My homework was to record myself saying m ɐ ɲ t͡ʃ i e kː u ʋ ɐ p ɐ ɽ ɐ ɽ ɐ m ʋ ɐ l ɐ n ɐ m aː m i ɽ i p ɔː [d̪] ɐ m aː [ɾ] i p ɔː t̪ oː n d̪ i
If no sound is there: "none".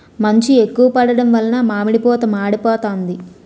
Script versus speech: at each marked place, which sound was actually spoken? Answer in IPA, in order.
t̪, ɽ

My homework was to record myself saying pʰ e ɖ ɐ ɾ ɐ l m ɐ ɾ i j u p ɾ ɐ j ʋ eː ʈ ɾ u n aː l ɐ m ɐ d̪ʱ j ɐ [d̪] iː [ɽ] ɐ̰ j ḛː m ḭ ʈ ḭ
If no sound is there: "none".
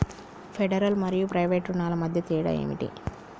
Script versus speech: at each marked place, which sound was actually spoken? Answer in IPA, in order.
t̪, ɽ

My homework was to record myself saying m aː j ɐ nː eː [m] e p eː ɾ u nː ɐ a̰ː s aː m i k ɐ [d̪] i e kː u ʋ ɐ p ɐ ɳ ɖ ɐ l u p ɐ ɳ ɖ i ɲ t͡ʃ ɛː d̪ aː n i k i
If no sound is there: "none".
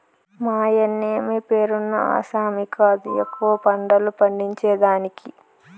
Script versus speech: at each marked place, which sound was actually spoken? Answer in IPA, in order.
m, d̪

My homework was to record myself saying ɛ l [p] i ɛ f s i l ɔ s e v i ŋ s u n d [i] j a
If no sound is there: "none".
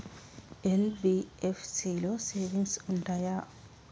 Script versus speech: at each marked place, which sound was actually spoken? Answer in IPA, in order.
b, a

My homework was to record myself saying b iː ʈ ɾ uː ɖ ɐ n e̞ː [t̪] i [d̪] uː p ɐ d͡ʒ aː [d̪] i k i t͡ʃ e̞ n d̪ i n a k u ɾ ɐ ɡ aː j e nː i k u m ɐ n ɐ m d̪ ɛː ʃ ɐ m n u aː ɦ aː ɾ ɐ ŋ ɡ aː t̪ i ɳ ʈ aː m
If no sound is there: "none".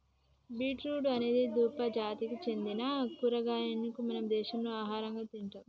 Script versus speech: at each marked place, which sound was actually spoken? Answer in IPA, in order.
d̪, d̪, t̪

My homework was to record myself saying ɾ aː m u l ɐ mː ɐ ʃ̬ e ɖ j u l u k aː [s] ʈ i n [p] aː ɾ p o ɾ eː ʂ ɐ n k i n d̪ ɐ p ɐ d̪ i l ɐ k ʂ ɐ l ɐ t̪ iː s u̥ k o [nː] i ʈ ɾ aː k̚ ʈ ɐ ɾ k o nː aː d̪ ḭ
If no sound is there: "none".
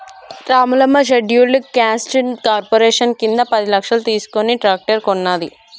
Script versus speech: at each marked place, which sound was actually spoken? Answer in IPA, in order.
s, k, n

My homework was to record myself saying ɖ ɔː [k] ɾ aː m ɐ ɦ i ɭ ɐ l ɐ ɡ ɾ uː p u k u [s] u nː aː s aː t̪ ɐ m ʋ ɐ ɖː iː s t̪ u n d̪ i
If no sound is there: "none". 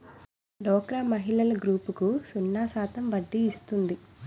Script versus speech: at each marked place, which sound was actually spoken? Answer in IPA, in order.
k, s

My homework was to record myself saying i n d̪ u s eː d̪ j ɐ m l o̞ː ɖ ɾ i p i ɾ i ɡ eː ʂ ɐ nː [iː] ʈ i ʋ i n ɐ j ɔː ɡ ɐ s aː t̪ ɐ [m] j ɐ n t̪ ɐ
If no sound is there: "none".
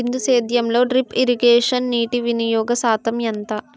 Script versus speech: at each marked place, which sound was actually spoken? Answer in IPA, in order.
iː, m

